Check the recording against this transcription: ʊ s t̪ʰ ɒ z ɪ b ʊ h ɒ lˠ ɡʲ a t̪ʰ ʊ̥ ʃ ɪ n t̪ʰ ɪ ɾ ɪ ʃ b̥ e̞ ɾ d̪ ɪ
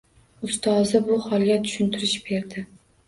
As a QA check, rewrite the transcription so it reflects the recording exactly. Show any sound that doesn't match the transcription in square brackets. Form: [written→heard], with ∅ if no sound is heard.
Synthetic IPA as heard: ʊ s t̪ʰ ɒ z ɪ b ʊ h ɒ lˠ ɡʲ a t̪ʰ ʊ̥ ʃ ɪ n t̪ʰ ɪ ɾ ɪ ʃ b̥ e̞ ɾ d̪ ɪ